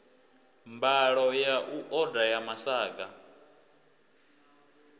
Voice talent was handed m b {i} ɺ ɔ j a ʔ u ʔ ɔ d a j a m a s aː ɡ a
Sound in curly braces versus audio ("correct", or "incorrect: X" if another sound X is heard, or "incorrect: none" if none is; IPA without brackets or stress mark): incorrect: a